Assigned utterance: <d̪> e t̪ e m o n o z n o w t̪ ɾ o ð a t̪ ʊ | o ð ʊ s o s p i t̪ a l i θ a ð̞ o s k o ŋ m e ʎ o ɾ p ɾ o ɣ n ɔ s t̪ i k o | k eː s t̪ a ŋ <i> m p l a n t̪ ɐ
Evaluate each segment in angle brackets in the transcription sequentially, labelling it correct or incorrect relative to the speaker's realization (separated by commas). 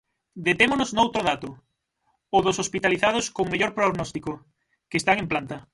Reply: correct, incorrect